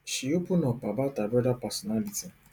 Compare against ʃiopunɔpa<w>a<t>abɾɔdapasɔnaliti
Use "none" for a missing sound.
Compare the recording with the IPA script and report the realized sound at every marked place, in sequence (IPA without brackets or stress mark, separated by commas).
b, t